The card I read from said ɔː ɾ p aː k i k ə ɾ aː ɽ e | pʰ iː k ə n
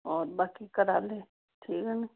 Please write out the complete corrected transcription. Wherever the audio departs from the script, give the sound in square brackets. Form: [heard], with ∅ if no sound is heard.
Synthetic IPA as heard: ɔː ɾ [b] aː k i k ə ɾ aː [l] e | [ʈʰ] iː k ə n